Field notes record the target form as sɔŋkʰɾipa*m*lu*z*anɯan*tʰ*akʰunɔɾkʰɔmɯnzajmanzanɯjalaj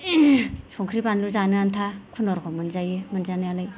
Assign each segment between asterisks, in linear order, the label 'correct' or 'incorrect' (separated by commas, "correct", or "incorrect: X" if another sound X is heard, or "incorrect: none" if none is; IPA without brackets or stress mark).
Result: incorrect: n, correct, correct